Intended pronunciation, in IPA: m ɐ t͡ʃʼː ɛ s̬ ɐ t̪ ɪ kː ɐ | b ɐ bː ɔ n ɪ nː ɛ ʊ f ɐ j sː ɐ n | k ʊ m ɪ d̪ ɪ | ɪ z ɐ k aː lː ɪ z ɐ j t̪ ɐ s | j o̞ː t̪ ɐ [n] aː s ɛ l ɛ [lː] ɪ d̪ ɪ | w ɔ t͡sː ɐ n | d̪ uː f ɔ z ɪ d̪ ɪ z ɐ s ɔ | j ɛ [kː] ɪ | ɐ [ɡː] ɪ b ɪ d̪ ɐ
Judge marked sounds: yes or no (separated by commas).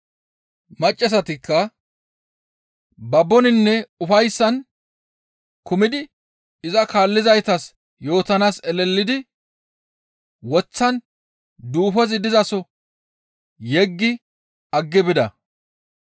yes, yes, no, yes